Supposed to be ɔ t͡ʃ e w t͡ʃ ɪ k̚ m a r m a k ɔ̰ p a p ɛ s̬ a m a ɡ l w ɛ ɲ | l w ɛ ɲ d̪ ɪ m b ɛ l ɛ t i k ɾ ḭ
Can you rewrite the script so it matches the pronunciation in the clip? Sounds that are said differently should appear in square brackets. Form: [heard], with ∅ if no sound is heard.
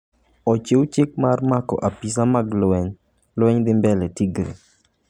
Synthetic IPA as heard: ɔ t͡ʃ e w t͡ʃ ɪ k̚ m a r m a k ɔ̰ [ʔ] a p [i] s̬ a m a ɡ l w ɛ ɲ | l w ɛ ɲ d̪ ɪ m b ɛ l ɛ t i [ɡ] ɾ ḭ